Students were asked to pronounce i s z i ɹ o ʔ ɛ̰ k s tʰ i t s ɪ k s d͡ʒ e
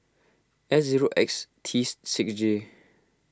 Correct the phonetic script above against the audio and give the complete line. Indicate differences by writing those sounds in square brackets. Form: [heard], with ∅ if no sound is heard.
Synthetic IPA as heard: [ɛ] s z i ɹ o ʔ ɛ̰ k s tʰ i [s] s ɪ k s d͡ʒ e

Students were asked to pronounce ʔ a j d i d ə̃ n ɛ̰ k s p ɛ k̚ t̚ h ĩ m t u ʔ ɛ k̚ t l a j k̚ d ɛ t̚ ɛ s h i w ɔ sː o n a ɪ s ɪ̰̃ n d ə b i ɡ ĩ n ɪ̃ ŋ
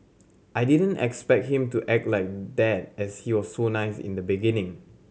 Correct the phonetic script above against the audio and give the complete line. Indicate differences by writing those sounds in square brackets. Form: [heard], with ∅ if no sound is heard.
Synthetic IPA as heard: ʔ a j d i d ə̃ n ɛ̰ k s p ɛ k̚ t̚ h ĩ m t u ʔ ɛ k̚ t l a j k̚ d ɛ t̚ ɛ s h i w ɔ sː o n a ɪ s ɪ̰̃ n d ə b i ɡ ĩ n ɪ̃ ŋ

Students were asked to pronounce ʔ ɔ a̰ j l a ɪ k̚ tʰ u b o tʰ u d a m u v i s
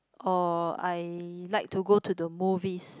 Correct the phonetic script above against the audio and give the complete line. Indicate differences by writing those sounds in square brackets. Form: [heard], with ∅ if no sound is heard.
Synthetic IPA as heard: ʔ ɔ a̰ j l a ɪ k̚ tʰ u [ɡ] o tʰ u d [ə] m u v i s

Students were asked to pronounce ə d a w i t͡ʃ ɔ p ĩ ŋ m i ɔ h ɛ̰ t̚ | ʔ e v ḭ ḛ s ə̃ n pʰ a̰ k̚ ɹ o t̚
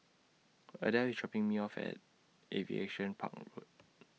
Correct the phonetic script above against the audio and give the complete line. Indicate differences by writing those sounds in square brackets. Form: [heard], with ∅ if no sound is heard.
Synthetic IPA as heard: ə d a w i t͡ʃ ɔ p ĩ ŋ m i ɔ [f] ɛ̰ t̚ | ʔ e v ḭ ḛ [ʃ] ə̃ n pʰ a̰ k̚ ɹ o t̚

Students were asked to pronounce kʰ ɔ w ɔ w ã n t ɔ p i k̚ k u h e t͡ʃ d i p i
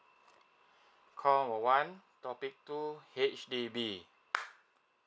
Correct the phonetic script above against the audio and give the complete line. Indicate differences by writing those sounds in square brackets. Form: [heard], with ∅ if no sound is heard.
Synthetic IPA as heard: kʰ ɔ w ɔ w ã n t ɔ p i k̚ [t] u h e t͡ʃ d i [b] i

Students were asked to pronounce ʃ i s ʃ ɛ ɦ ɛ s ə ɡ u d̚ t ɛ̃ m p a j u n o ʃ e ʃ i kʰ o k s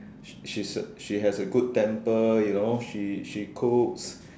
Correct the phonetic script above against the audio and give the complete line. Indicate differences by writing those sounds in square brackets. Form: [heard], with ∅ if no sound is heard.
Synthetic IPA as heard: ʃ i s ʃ [i] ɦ ɛ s ə ɡ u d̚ t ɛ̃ m p [ə] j u n o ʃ [i] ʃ i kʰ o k s

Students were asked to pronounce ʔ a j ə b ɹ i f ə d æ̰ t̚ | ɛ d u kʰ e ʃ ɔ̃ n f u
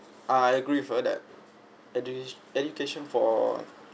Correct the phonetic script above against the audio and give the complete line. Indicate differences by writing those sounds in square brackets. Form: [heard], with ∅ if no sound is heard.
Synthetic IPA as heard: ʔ a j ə [ɡ] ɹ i f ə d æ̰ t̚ | ɛ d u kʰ e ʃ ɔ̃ n f [ɔ]

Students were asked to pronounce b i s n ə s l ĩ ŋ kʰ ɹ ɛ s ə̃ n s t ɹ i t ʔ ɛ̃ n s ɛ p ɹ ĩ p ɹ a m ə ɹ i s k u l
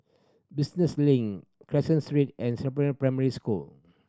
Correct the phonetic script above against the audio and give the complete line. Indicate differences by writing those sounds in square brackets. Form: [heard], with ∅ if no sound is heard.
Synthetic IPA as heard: b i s n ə s l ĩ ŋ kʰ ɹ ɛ s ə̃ n s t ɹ i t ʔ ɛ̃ n s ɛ p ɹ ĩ p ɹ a m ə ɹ i s k u l

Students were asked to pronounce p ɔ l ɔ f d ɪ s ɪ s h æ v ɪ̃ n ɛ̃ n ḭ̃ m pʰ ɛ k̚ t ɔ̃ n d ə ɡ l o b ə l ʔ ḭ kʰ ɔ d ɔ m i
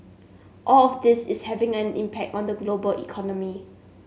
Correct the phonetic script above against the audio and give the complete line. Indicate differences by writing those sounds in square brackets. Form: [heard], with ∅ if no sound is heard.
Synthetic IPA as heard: [ʔ] ɔ l ɔ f d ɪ s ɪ s h [ɛ] v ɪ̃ [ŋ] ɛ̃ n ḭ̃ m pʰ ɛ k̚ t ɔ̃ n d ə ɡ l o b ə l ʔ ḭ kʰ ɔ [n] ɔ m i

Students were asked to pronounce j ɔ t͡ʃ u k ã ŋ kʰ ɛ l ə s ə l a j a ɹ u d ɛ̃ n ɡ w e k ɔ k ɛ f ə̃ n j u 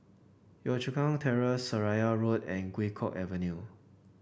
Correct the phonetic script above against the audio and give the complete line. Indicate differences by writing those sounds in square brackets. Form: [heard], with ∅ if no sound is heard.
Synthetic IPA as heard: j ɔ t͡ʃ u k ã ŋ [tʰ] ɛ [ɹ] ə s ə [ɹ] a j a ɹ [o] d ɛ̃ n ɡ w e [kʰ] ɔ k ɛ [v] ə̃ n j u

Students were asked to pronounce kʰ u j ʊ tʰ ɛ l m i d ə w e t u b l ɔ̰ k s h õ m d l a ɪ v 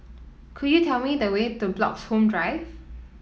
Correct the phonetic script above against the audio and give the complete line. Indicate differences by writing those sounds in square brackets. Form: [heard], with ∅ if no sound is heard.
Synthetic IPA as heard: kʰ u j [u] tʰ ɛ l m i d ə w e t u b l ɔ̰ k s h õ m d [ɹ] a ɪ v

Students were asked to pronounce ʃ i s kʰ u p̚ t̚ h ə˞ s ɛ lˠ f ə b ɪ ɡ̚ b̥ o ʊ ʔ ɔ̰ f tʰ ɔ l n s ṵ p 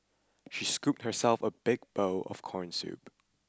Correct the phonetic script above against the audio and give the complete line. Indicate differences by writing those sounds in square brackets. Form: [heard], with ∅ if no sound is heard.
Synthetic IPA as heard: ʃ i s [k] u p̚ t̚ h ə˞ s ɛ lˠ f ə b ɪ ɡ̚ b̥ o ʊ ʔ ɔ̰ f [kʰ] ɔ [ɹ] n s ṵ p

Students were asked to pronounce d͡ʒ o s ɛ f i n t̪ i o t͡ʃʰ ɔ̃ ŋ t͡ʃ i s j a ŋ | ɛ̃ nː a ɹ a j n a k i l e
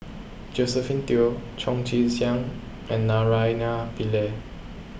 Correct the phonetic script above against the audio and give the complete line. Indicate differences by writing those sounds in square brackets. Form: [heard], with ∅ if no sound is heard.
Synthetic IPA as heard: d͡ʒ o s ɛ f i n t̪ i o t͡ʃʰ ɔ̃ ŋ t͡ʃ i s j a ŋ | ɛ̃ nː a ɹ a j n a [p] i l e

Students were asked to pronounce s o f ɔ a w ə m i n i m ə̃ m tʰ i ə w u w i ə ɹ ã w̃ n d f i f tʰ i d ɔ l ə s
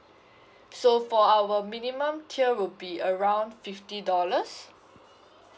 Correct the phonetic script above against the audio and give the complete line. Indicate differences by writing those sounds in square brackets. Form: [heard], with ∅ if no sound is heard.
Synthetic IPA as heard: s o f ɔ a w ə m i n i m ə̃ m tʰ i ə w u [b] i ə ɹ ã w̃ n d f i f [t] i d ɔ l ə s

